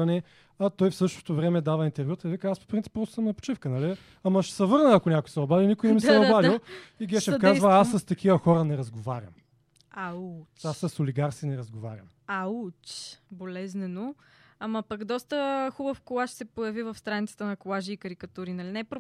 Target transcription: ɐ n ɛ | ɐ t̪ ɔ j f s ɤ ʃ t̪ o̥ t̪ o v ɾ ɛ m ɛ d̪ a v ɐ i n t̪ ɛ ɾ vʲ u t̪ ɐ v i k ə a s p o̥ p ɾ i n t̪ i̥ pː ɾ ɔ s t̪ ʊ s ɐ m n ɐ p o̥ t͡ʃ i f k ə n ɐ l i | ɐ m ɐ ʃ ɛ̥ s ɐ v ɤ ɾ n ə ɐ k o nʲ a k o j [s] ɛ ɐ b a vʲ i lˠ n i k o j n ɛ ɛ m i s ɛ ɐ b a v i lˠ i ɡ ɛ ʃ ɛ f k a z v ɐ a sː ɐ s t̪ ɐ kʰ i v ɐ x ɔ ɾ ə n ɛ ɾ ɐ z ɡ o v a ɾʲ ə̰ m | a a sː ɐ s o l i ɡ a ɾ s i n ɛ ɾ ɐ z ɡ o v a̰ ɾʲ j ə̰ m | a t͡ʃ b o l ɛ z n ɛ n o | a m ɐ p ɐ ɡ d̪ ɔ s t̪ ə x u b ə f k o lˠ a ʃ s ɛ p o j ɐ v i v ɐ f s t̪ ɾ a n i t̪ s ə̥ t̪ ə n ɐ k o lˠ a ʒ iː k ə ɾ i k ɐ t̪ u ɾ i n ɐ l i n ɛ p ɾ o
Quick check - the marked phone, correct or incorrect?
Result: correct